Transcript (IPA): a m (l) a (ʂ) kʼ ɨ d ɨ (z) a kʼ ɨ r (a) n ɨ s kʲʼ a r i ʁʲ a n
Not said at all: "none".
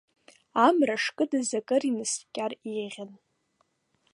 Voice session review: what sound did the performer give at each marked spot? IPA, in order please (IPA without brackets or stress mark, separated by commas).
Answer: r, ʂ, z, i